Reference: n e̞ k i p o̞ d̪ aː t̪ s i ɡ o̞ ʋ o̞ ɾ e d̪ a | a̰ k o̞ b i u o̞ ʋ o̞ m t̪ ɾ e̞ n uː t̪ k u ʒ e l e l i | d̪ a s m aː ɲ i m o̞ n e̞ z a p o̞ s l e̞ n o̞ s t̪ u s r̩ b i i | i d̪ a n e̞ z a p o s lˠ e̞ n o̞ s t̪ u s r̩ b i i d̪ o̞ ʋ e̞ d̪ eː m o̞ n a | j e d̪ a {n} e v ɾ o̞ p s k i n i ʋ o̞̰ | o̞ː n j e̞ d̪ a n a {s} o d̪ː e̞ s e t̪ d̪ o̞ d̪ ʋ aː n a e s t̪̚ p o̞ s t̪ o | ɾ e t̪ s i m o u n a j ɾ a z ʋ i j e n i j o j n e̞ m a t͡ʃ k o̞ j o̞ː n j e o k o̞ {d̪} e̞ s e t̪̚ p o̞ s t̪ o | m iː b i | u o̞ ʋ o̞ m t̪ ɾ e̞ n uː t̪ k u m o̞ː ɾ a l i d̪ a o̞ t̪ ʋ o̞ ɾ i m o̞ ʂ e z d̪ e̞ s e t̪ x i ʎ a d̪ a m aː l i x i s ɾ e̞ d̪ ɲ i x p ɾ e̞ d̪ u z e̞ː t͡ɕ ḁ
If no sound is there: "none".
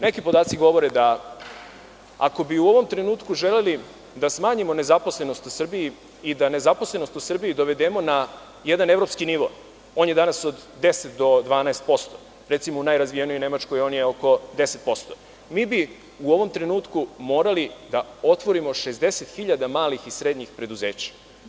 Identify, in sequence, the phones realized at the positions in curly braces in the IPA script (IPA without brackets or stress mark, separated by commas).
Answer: n, s, d̪